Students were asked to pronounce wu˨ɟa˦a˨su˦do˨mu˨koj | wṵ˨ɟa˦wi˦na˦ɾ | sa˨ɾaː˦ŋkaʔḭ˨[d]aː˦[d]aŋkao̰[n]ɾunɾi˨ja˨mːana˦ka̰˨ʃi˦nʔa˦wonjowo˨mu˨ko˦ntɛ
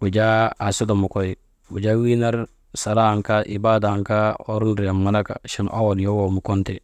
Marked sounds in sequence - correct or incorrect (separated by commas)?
incorrect, correct, incorrect